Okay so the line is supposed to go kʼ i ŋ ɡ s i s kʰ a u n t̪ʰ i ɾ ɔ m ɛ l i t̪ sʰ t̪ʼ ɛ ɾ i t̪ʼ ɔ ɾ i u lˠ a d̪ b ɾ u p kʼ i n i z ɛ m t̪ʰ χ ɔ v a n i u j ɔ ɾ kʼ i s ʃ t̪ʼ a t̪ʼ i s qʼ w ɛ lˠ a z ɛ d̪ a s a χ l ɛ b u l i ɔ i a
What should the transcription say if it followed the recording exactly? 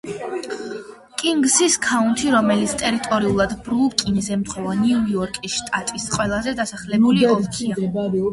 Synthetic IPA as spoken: kʼ i ŋ ɡ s i s kʰ a u n t̪ʰ i ɾ ɔ m ɛ l i t̪ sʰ t̪ʼ ɛ ɾ i t̪ʼ ɔ ɾ i u lˠ a d̪ b ɾ u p kʼ i n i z ɛ m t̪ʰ χ ɔ v a n i u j ɔ ɾ kʼ i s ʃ t̪ʼ a t̪ʼ i s qʼ w ɛ lˠ a z ɛ d̪ a s a χ l ɛ b u l i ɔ i a